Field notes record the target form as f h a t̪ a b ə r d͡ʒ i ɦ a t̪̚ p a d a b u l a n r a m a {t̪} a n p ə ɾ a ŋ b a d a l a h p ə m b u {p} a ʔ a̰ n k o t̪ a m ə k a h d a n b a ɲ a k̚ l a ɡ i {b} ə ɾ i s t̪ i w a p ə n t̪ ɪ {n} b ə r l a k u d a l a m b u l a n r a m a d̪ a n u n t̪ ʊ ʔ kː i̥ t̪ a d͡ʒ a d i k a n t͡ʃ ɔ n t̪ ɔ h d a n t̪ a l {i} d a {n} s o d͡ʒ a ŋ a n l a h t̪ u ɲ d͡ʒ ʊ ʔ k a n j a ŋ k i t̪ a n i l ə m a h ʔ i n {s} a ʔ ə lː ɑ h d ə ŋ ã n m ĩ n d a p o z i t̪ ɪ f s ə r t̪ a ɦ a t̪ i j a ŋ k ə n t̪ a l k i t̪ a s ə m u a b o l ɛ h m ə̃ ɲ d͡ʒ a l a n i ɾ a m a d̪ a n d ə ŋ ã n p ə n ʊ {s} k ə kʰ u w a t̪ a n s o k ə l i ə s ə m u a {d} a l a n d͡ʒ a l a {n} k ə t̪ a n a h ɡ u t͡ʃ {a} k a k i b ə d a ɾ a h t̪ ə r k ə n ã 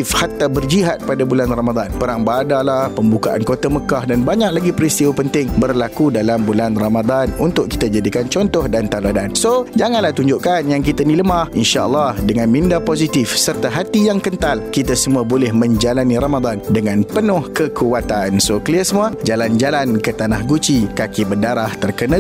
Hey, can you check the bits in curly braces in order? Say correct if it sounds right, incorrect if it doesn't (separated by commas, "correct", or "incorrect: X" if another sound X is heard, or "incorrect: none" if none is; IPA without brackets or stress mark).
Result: incorrect: d̪, incorrect: k, incorrect: p, incorrect: ŋ, incorrect: a, correct, incorrect: ʃ, incorrect: h, incorrect: d͡ʒ, correct, incorrect: i